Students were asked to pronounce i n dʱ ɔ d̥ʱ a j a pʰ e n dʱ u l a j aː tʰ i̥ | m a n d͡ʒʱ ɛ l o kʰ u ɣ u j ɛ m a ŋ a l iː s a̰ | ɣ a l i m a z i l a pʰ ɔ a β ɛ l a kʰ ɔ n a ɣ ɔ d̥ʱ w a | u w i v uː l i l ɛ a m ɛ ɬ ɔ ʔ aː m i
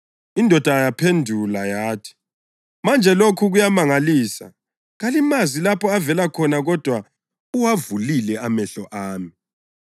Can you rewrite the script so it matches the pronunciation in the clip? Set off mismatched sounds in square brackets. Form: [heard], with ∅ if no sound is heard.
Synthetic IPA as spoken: i n dʱ ɔ d̥ʱ a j a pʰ e n dʱ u l a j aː tʰ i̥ | m a n d͡ʒʱ ɛ l o kʰ u ɣ u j [a] m a ŋ a l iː s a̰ | ɣ a l i m a z i l a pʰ ɔ a [v] ɛ l a kʰ ɔ n a ɣ ɔ d̥ʱ w a | u w [a] v [u] l i l ɛ a m ɛ ɬ ɔ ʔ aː m i

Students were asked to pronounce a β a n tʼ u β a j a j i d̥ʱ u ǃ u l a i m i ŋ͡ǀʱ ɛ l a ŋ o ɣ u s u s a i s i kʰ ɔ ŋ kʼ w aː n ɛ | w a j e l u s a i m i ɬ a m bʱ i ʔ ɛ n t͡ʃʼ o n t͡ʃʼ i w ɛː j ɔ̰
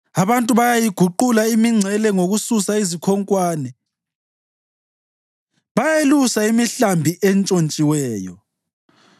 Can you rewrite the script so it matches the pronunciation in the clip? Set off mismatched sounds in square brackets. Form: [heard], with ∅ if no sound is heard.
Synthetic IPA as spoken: a β a n tʼ u β a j a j i [ɡ̥ʱ] u ǃ u l a i m i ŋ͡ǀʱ ɛ l [ɛ] ŋ o ɣ u s u s a i [z] i kʰ ɔ ŋ kʼ w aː n ɛ | [β] a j e l u s a i m i ɬ a m bʱ i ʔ ɛ n t͡ʃʼ o n t͡ʃʼ i w ɛː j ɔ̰

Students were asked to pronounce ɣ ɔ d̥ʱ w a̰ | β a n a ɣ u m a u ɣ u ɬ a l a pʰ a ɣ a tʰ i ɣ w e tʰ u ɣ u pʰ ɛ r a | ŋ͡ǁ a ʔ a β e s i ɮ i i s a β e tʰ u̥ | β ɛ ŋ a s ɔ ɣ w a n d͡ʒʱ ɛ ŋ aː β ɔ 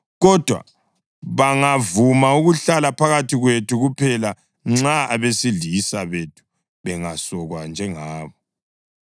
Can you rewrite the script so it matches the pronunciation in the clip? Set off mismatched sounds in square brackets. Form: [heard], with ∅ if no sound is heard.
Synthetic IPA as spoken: ɣ ɔ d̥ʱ w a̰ | β a [ŋ] a [v] u m a u ɣ u ɬ a l a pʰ a ɣ a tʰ i ɣ w e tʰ u ɣ u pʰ ɛ [l] a | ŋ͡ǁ a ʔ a β e s i ɮ i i s a β e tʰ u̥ | β ɛ ŋ a s ɔ ɣ w a n d͡ʒʱ ɛ ŋ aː β ɔ

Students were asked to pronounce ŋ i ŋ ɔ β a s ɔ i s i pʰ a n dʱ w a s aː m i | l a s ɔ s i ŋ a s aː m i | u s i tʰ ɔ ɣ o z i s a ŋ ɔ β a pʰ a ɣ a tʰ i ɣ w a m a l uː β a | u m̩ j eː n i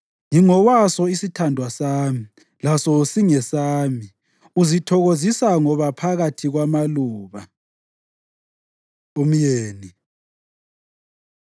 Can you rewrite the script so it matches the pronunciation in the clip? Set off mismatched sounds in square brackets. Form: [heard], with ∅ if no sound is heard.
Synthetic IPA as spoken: ŋ i ŋ ɔ [w] a s ɔ i s i [tʰ] a n dʱ w a s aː m i | l a s ɔ s i ŋ [ɛ] s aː m i | u [z] i tʰ ɔ ɣ o z i s a ŋ ɔ β a pʰ a ɣ a tʰ i ɣ w a m a l uː β a | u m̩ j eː n i

